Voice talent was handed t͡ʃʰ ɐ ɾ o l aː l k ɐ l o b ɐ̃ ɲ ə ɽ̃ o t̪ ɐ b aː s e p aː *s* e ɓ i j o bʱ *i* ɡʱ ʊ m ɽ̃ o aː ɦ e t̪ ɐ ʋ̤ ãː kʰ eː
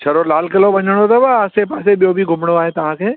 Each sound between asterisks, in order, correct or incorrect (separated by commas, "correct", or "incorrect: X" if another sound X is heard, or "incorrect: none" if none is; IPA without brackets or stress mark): correct, correct